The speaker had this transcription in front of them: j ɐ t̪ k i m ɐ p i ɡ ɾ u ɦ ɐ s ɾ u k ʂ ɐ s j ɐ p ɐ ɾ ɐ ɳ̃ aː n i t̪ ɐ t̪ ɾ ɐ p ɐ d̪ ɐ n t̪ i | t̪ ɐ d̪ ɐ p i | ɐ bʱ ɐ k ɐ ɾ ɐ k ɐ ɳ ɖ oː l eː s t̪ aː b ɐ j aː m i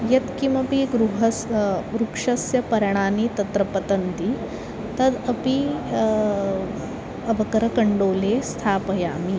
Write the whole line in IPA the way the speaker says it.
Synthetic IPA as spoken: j ɐ t̪ k i m ɐ p i ɡ ɾ u ɦ ɐ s ɾ u k ʂ ɐ s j ɐ p ɐ ɾ ɐ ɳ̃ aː n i t̪ ɐ t̪ ɾ ɐ p ɐ t̪ ɐ n t̪ i | t̪ ɐ d̪ ɐ p i | ɐ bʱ ɐ k ɐ ɾ ɐ k ɐ ɳ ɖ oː l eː s t̪ʰ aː p ɐ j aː m i